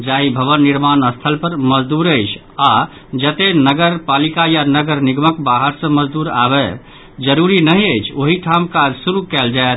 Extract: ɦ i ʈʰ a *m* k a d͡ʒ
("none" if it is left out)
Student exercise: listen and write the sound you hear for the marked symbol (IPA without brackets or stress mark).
m